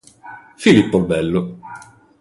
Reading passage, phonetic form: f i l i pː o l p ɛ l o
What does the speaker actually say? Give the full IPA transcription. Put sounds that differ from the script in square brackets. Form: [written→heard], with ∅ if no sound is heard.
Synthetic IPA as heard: f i l i pː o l [p→b] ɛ [l→lː] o